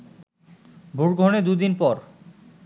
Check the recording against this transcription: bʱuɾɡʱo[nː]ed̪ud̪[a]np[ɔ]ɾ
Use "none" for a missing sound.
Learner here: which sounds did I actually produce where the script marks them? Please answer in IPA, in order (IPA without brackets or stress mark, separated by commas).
n, i, ɔ